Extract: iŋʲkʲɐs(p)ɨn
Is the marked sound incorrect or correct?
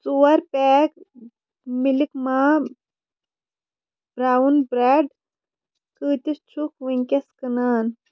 incorrect